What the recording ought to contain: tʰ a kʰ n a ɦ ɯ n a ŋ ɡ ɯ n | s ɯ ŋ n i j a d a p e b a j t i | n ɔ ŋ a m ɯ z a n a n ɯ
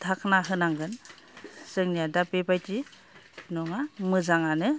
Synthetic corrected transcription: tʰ a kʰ n a ɦ ɯ n a ŋ ɡ ɯ n | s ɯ ŋ n i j a d a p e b a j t i | n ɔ ŋ a m ɯ z a ŋ a n ɯ